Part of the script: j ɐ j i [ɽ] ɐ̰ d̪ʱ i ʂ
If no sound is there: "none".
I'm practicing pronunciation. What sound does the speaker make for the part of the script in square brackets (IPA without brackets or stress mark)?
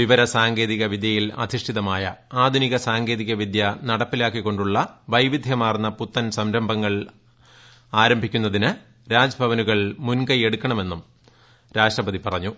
l